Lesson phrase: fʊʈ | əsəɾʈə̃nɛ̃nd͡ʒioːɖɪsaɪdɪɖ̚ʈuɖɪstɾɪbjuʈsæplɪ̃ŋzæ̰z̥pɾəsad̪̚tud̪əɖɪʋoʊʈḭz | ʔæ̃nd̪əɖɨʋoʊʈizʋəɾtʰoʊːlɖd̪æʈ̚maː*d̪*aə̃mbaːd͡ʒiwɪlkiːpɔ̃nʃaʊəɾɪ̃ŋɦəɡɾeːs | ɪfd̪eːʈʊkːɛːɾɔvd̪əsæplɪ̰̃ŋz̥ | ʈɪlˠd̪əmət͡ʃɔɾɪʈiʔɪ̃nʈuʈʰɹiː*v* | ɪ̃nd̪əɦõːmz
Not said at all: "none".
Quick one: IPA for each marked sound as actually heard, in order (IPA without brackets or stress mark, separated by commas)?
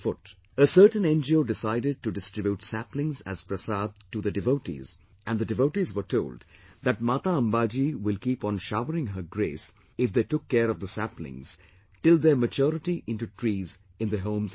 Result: t̪, z